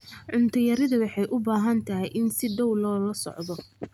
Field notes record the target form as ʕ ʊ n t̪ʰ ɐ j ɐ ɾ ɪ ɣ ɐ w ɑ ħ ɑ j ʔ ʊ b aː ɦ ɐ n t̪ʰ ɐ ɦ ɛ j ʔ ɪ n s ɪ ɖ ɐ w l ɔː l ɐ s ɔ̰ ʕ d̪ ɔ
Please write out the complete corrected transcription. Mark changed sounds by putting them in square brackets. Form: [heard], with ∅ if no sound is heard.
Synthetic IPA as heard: ʕ ʊ n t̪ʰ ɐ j ɐ ɾ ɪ [ð] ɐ w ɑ ħ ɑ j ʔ ʊ b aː ɦ ɐ n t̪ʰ ɐ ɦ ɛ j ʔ ɪ n s ɪ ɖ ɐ w l ɔː l ɐ s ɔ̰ ʕ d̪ ɔ

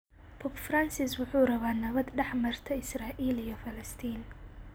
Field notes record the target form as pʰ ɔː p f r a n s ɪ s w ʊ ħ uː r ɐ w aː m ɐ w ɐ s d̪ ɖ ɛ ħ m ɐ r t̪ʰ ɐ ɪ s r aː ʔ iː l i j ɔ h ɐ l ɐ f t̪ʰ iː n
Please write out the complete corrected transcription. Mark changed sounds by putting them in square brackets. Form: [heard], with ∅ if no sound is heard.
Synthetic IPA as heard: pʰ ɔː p f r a n s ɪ s w ʊ ħ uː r ɐ [β] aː [n] ɐ [β] ɐ [∅] d̪ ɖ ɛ ħ m ɐ r t̪ʰ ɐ ɪ s r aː ʔ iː l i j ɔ [f] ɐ l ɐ [s] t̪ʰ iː n

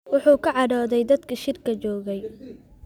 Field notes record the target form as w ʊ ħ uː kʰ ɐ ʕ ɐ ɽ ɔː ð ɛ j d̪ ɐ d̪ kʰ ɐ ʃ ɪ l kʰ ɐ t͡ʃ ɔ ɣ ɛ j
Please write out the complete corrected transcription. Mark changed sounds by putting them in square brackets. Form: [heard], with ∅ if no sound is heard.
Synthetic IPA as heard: w ʊ ħ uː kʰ ɐ ʕ [ɑ] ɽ ɔː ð ɛ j d̪ ɐ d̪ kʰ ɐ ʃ ɪ [r] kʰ ɐ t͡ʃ [ɔː] ɣ ɛ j

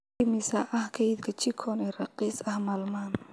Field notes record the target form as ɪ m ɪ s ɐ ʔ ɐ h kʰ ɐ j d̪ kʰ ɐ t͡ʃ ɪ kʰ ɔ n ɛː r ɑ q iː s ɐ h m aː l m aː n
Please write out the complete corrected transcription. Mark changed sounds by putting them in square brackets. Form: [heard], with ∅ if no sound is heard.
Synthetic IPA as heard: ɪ m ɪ s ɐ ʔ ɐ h kʰ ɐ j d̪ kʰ ɐ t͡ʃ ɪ kʰ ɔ n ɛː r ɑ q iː s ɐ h m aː l m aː n

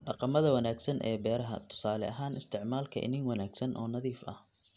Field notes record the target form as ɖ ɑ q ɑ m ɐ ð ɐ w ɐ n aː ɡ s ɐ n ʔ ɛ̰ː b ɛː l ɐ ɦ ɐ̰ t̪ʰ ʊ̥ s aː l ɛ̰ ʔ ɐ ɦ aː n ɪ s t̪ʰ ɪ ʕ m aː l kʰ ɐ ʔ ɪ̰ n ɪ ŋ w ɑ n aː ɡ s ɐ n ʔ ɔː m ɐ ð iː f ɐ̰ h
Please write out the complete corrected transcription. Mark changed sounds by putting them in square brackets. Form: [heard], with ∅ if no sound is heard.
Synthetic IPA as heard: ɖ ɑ q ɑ m ɐ ð ɐ w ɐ n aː ɡ s ɐ n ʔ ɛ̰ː b ɛː [ɾ] ɐ ɦ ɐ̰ t̪ʰ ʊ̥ s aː l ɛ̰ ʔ ɐ ɦ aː n ɪ s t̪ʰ ɪ ʕ m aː l kʰ ɐ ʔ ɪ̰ n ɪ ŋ w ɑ n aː ɡ s ɐ n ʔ ɔː [n] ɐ ð iː f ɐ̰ h

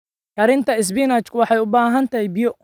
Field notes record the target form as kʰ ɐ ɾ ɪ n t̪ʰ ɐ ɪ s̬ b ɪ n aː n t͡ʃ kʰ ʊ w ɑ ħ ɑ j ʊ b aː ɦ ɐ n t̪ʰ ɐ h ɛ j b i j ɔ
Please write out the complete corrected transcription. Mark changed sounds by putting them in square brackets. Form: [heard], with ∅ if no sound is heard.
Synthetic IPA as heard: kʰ ɐ ɾ ɪ n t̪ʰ ɐ ɪ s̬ b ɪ n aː [∅] t͡ʃ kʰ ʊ w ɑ ħ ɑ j ʊ b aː ɦ ɐ n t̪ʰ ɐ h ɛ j b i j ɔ

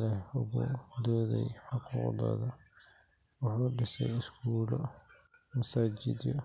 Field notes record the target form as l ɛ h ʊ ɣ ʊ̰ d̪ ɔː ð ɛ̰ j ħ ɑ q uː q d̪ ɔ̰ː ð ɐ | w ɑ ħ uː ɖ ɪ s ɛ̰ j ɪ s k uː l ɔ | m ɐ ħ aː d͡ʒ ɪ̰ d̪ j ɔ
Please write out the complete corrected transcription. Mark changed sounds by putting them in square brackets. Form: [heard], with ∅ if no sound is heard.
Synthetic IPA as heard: l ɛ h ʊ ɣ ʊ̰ d̪ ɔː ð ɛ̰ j ħ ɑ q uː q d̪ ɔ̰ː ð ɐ | w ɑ ħ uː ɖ ɪ s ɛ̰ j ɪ s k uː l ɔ | m ɐ [s] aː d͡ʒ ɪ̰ d̪ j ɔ

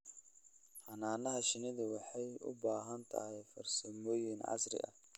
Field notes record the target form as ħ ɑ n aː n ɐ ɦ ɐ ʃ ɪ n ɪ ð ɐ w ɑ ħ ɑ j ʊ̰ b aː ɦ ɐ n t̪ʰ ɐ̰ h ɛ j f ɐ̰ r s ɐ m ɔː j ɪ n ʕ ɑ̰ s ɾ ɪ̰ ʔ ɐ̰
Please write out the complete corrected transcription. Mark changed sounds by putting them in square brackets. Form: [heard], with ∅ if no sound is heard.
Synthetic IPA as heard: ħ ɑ n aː n ɐ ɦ ɐ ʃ ɪ n ɪ ð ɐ w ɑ ħ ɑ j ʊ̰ b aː ɦ ɐ n t̪ʰ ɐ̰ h ɛ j f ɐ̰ r s ɐ m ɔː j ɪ n ʕ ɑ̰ s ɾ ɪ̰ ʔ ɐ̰

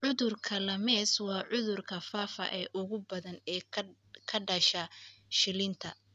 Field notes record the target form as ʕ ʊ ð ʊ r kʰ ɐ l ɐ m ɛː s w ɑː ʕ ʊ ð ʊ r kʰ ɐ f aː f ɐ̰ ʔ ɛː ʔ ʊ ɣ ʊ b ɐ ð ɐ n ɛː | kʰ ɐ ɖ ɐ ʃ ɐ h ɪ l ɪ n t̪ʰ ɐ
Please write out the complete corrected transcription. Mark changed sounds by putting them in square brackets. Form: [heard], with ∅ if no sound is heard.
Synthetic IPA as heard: ʕ ʊ ð ʊ r kʰ ɐ l ɐ m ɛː s w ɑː ʕ ʊ ð ʊ r kʰ ɐ f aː f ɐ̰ ʔ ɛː ʔ ʊ ɣ ʊ b ɐ ð ɐ n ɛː | kʰ ɐ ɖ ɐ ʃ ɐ [ʃ] ɪ l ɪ n t̪ʰ ɐ

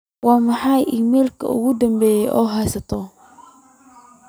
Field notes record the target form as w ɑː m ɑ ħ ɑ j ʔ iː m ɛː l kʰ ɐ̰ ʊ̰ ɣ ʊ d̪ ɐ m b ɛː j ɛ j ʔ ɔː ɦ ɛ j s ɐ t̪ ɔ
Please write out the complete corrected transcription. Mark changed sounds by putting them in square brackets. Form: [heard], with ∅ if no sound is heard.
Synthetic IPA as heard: w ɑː m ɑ ħ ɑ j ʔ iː m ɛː l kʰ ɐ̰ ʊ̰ ɣ ʊ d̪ ɐ m b ɛː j ɛ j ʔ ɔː ɦ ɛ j s ɐ [t̪ʰ] ɔ

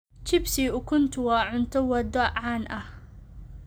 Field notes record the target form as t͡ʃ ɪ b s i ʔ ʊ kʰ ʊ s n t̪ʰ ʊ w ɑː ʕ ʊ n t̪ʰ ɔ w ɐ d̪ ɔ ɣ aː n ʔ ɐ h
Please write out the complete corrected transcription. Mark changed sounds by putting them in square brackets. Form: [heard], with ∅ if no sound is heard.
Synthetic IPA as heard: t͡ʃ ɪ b s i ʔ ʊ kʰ ʊ [∅] n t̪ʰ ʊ w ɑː ʕ ʊ n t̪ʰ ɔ w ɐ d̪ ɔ [ʕ] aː n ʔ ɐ h

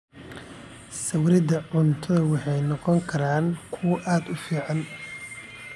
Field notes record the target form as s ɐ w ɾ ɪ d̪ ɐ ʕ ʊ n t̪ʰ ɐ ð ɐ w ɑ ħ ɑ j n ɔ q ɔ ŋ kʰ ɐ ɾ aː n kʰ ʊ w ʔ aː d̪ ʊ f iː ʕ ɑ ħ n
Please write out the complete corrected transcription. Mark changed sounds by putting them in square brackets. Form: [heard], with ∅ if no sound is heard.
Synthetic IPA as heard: s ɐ w ɾ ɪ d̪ ɐ ʕ ʊ n t̪ʰ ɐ ð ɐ w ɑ ħ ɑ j n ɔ q ɔ ŋ kʰ ɐ ɾ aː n kʰ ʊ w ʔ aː d̪ ʊ f iː ʕ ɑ [∅] n

